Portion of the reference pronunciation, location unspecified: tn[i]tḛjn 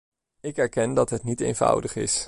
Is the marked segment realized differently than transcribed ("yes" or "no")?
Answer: no